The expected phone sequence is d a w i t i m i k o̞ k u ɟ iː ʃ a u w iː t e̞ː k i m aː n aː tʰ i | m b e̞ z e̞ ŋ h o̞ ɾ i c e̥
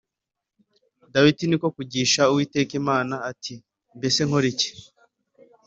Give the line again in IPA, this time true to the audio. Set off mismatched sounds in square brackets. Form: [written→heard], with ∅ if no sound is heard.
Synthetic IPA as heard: d a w i t i [m→n] i k o̞ k u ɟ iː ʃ a u w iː t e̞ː k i m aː n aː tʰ i | m b e̞ [z→s] e̞ ŋ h o̞ ɾ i c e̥